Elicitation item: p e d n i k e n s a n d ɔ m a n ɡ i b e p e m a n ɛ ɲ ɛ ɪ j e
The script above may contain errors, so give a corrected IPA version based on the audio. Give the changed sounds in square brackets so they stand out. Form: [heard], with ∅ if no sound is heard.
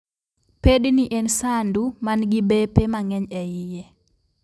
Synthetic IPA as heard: p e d n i [ʔ] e n s a n d [u] m a n ɡ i b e p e m a [ŋ] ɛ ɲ ɛ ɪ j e